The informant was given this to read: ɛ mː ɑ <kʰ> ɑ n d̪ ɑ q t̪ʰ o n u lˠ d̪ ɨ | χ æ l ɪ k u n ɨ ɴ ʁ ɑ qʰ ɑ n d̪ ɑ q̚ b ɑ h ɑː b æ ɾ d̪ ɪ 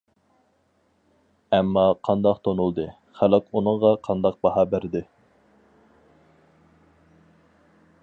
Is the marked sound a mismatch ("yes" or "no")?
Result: yes